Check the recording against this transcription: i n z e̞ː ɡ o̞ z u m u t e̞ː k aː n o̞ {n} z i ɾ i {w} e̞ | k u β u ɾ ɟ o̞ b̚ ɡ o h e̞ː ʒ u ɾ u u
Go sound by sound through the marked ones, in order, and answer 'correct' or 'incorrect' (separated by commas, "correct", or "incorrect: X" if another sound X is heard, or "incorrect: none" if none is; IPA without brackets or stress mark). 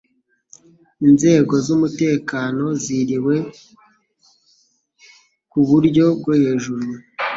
incorrect: none, correct